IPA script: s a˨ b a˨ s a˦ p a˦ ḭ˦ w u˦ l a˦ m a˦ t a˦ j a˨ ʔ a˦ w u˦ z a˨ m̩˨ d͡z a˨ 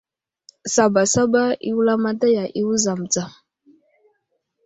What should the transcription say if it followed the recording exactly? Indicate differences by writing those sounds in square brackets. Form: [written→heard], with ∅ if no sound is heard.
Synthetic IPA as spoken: s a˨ b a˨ s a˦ [p→b] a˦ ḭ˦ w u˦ l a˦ m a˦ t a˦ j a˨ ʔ [a˦→i˦] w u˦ z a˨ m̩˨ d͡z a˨